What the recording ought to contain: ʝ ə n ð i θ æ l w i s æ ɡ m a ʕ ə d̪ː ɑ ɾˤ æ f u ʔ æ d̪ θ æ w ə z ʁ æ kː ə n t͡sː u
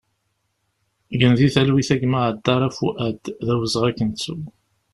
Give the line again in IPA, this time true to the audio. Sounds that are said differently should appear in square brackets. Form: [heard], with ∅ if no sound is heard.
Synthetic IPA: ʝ ə n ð i θ æ l w i [θ] æ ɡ m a ʕ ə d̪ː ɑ ɾˤ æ f u ʔ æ d̪ [ð] æ w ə z ʁ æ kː ə n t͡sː u